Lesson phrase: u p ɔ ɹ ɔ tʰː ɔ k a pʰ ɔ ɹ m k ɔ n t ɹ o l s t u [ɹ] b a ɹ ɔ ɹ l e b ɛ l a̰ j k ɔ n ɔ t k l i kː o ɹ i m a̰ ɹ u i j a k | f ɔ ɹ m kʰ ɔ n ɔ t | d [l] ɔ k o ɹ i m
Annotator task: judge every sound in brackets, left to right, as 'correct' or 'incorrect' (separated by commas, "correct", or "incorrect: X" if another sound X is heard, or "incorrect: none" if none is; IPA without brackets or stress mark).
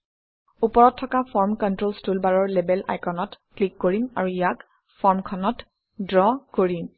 incorrect: l, incorrect: ɹ